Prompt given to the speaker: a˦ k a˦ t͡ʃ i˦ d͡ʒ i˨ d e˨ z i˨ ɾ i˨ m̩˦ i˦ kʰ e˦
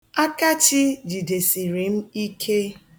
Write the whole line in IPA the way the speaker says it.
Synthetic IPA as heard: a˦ k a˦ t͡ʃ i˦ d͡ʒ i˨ d e˨ s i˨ ɾ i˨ m̩˦ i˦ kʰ e˦